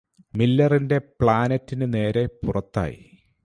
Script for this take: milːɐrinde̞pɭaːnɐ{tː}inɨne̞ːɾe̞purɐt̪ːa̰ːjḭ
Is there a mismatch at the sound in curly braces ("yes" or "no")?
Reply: no